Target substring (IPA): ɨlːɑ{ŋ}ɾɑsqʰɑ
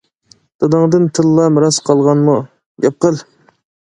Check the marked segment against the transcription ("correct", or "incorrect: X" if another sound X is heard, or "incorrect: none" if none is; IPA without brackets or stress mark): incorrect: m